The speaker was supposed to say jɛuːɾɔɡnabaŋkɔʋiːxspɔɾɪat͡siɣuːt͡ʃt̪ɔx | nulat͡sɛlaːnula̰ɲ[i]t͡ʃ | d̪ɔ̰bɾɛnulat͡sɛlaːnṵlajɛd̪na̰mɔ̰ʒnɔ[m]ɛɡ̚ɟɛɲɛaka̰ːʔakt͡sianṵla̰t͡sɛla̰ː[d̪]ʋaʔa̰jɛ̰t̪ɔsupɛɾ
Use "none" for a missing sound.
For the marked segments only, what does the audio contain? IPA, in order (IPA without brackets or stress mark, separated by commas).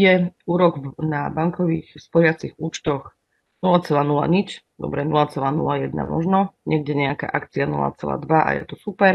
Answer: i, ɲ, d̪